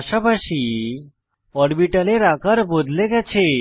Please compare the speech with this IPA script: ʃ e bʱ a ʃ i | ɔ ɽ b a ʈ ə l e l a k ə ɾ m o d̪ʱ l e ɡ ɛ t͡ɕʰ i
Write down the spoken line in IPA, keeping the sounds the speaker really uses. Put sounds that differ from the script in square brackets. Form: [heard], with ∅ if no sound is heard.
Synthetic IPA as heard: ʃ [a] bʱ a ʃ i | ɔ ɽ b [i] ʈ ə l e [ɾ] a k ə ɾ [b] o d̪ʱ l e ɡ ɛ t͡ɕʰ [e]